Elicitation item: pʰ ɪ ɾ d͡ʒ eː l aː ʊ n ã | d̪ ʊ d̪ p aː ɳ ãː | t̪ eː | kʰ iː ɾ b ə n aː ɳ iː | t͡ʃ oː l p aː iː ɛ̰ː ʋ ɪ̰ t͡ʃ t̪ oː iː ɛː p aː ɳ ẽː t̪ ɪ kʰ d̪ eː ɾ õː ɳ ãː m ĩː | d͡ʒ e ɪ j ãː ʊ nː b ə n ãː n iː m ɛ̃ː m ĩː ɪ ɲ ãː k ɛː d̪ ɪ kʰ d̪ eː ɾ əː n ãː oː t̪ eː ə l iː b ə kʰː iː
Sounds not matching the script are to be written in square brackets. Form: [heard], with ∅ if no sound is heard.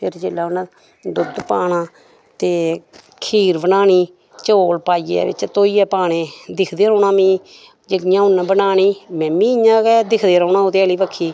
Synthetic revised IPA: pʰ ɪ ɾ d͡ʒ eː l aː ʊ n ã | d̪ ʊ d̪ p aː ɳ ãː | t̪ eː | kʰ iː ɾ b ə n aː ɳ iː | t͡ʃ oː l p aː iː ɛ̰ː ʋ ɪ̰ t͡ʃ t̪ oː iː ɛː p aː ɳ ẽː [d̪] ɪ kʰ d̪ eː ɾ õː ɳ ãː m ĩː | d͡ʒ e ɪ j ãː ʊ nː b ə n [aː] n iː m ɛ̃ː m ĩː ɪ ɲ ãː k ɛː d̪ ɪ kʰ d̪ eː ɾ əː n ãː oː t̪ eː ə l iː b ə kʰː iː